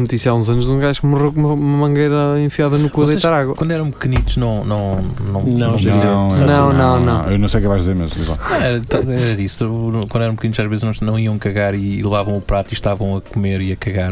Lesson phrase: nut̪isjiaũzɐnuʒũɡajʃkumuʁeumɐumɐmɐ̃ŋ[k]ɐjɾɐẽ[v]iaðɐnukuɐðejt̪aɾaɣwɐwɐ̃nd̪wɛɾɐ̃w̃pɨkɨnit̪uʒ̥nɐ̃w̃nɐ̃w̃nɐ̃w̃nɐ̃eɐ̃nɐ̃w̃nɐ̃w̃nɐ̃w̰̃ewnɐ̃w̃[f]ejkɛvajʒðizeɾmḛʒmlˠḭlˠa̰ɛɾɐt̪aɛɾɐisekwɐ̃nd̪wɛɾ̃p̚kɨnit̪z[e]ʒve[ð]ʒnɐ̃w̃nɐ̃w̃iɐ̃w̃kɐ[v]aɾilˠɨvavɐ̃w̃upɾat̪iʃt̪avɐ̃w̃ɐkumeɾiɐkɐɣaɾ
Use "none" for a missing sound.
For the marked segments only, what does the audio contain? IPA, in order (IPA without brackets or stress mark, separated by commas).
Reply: ɡ, f, s, a, z, ɣ